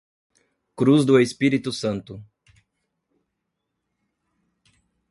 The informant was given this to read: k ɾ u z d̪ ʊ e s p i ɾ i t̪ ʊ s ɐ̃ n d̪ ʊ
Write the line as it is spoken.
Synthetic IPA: k ɾ u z d̪ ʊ e s p i ɾ i t̪ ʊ s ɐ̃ n t̪ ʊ